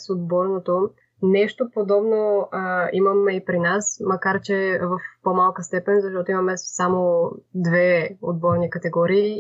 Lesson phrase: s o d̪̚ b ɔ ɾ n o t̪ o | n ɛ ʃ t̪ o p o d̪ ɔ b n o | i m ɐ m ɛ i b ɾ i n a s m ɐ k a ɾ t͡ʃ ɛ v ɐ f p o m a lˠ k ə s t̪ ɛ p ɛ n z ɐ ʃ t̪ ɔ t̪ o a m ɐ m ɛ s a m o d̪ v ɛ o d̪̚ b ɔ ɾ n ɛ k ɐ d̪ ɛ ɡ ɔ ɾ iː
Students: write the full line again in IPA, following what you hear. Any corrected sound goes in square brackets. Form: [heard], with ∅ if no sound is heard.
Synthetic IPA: s o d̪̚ b ɔ ɾ n o t̪ o | n ɛ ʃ t̪ o p o d̪ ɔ b n o | i m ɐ m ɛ i [p] ɾ i n a s m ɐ k a ɾ t͡ʃ ɛ v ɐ f p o m a lˠ k ə s t̪ ɛ p ɛ n z ɐ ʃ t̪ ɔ t̪ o [i] m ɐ m ɛ s a m o d̪ v ɛ o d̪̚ b ɔ ɾ n [i] k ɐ [t̪] ɛ ɡ ɔ ɾ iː